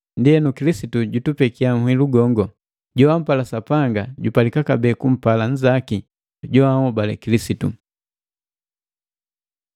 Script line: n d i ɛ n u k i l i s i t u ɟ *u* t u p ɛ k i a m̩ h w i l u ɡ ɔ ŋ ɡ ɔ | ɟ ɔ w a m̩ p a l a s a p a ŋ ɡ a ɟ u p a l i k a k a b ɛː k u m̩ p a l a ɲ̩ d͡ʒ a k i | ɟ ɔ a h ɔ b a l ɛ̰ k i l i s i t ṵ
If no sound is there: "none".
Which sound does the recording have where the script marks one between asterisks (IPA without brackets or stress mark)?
u